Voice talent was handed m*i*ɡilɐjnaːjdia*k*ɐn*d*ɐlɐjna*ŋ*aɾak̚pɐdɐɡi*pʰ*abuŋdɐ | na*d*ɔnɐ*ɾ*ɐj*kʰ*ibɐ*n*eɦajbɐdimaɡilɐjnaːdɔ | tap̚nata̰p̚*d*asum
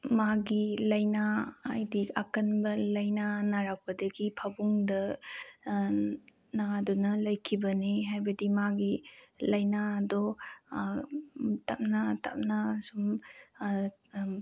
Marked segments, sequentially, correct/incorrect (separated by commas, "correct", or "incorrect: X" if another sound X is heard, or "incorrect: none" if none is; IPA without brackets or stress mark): incorrect: a, correct, incorrect: b, incorrect: n, correct, correct, incorrect: l, correct, correct, incorrect: n